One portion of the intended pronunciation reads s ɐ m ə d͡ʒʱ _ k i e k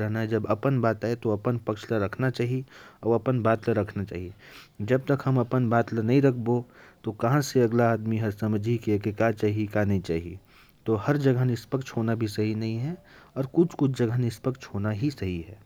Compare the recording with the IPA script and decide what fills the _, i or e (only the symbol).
i